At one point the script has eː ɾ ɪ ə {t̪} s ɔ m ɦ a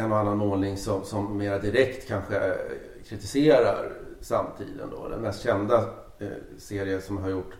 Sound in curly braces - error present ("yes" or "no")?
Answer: yes